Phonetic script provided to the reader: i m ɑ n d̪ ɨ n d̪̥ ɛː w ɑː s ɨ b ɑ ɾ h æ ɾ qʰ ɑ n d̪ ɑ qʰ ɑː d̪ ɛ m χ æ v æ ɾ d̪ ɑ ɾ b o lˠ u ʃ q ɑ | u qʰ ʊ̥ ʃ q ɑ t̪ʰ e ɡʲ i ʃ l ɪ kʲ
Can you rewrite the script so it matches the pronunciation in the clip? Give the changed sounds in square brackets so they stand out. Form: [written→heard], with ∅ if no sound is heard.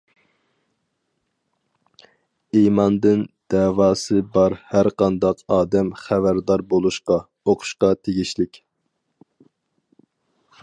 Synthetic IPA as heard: i m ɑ n d̪ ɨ n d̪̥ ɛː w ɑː s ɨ b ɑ ɾ h æ ɾ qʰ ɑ n d̪ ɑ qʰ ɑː d̪ ɛ m χ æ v æ ɾ d̪ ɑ ɾ b o lˠ u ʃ q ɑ | [u→o] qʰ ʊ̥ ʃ q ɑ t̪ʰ e ɡʲ i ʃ l ɪ kʲ

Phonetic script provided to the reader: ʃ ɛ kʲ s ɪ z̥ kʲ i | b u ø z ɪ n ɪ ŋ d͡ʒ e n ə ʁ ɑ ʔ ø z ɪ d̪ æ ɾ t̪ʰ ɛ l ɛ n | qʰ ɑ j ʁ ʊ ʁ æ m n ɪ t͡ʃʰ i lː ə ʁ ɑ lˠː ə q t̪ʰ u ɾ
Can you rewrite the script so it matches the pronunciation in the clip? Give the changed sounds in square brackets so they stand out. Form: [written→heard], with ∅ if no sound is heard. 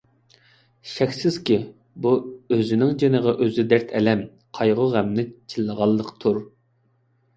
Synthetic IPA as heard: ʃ ɛ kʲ s ɪ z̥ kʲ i | b u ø z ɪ n ɪ ŋ d͡ʒ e n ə ʁ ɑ ʔ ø z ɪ d̪ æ ɾ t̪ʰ ɛ l ɛ [n→m] | qʰ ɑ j ʁ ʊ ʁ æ m n ɪ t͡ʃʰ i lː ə ʁ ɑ lˠː ə q t̪ʰ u ɾ

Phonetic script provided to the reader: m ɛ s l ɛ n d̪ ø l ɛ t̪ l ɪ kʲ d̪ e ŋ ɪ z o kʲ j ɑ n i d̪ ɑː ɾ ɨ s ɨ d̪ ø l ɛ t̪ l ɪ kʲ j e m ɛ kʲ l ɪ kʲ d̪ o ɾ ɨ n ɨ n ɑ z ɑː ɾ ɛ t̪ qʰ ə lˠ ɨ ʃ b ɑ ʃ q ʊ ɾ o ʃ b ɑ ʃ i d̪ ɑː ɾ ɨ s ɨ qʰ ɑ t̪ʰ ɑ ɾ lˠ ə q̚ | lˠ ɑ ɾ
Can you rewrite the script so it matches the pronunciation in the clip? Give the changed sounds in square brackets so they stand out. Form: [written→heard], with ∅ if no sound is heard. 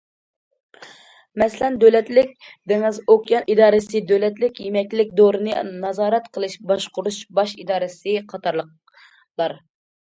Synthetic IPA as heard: m ɛ s l ɛ n d̪ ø l ɛ t̪ l ɪ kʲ d̪ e ŋ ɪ z o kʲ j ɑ n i d̪ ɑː ɾ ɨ s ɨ d̪ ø l ɛ t̪ l ɪ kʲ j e m ɛ kʲ l ɪ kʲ d̪ o ɾ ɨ n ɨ n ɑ z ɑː ɾ ɛ t̪ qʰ ə lˠ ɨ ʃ b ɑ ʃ q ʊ ɾ [o→u] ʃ b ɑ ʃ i d̪ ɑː ɾ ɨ s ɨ qʰ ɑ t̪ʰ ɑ ɾ lˠ ə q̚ | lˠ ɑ ɾ

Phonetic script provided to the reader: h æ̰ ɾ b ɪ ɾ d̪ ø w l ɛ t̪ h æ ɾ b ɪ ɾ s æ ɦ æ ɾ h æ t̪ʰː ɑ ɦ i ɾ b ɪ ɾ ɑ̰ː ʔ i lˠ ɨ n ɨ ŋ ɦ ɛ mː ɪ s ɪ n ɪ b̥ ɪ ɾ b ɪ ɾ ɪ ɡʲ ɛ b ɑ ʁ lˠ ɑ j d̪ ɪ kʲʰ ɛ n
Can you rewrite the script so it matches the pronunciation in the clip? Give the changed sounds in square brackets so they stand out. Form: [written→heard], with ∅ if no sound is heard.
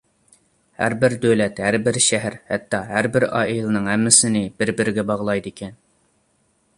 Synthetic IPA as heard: h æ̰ ɾ b ɪ ɾ d̪ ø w l ɛ t̪ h æ ɾ b ɪ ɾ [s→ʃ] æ ɦ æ ɾ h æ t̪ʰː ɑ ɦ [i→æ] ɾ b ɪ ɾ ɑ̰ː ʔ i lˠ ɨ n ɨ ŋ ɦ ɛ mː ɪ s ɪ n ɪ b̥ ɪ ɾ b ɪ ɾ ɪ ɡʲ ɛ b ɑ ʁ lˠ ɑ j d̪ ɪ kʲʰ ɛ n

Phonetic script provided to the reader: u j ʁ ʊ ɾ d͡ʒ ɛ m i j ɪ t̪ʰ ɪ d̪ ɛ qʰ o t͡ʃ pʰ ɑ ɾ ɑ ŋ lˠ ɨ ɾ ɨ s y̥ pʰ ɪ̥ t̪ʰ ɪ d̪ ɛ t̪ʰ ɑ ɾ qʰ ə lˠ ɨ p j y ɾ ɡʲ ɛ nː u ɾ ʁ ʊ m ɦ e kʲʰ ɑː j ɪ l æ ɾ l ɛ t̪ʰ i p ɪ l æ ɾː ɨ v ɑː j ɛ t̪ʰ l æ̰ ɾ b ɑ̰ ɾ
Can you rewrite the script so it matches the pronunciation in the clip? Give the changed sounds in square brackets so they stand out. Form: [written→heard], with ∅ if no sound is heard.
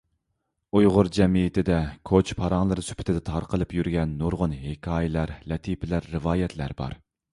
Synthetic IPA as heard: u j ʁ ʊ ɾ d͡ʒ ɛ m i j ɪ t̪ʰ ɪ d̪ ɛ [qʰ→kʰ] o t͡ʃ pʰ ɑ ɾ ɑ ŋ lˠ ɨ ɾ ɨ s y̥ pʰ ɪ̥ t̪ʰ ɪ d̪ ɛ t̪ʰ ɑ ɾ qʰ ə lˠ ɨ p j y ɾ ɡʲ ɛ nː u ɾ ʁ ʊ [m→n] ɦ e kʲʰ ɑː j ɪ l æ ɾ l ɛ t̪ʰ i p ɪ l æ ɾː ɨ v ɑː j ɛ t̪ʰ l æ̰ ɾ b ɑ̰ ɾ

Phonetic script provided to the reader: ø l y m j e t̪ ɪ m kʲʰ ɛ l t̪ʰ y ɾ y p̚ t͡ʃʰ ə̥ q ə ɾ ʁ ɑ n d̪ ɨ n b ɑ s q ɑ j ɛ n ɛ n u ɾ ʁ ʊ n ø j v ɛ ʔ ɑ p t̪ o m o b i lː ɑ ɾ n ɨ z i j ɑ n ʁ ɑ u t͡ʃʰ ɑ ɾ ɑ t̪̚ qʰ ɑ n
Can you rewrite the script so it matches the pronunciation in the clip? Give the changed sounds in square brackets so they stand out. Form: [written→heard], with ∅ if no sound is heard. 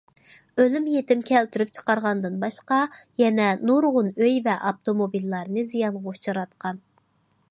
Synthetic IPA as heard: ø l y m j e t̪ ɪ m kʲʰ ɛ l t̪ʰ y ɾ y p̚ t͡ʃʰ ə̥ q [ə→ɑ] ɾ ʁ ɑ n d̪ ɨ n b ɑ [s→ʃ] q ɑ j ɛ n ɛ n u ɾ ʁ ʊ n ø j v ɛ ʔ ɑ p t̪ o m o b i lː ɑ ɾ n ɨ z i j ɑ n ʁ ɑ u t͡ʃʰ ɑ ɾ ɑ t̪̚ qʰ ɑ n

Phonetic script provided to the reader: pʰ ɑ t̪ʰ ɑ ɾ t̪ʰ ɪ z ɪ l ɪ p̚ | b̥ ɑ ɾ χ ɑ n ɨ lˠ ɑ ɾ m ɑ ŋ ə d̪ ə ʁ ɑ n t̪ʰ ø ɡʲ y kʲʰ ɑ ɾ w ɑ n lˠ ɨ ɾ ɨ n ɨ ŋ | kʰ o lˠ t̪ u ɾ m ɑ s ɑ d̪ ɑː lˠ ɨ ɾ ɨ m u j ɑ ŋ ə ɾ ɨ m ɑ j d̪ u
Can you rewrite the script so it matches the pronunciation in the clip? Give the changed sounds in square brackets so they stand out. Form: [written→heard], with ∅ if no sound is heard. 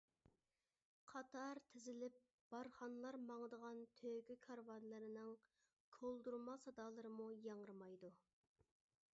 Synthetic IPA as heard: [pʰ→qʰ] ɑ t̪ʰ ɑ ɾ t̪ʰ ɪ z ɪ l ɪ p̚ | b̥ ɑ ɾ χ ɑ n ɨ lˠ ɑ ɾ m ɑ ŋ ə d̪ ə ʁ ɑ n t̪ʰ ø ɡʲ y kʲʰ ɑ ɾ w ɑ n lˠ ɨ ɾ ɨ n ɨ ŋ | kʰ o lˠ [t̪→d̪] u ɾ m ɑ s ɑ d̪ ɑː lˠ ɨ ɾ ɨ m u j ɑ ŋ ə ɾ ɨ m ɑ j d̪ u

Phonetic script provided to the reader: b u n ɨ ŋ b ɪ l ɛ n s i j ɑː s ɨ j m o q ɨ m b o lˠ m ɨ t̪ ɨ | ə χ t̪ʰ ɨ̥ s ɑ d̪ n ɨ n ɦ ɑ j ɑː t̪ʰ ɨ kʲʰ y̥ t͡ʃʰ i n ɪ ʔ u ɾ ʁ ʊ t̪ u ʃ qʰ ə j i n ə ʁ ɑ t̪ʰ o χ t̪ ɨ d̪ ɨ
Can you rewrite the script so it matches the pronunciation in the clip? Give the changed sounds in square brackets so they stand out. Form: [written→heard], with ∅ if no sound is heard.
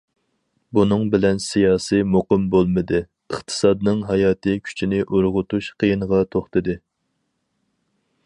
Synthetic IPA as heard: b u n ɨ ŋ b ɪ l ɛ n s i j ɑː s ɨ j m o q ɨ m b o lˠ m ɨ [t̪→d̪] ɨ | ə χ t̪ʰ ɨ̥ s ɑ d̪ n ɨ [n→ŋ] ɦ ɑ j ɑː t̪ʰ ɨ kʲʰ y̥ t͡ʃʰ i n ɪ ʔ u ɾ ʁ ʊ t̪ u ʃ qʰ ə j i n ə ʁ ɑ t̪ʰ o χ t̪ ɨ d̪ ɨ

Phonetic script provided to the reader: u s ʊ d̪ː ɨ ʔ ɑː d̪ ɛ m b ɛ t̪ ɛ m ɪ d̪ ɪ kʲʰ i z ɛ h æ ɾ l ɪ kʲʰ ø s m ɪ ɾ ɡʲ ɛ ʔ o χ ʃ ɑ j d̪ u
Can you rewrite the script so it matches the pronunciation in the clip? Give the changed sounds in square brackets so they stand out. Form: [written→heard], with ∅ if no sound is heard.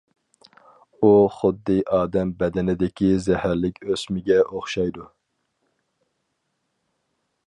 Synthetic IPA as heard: u [s→χ] ʊ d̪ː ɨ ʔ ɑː d̪ ɛ m b ɛ [t̪→d̪] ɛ [m→n] ɪ d̪ ɪ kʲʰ i z ɛ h æ ɾ l ɪ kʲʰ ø s m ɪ [ɾ→∅] ɡʲ ɛ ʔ o χ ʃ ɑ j d̪ u

